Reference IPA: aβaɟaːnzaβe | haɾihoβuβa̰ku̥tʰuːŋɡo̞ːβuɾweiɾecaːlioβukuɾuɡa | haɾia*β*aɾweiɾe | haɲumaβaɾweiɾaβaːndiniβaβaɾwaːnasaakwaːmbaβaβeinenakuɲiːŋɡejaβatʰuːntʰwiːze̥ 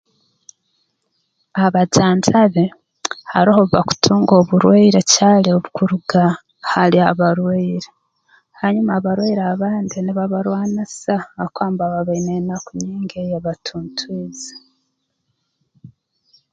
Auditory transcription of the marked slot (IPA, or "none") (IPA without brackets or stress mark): β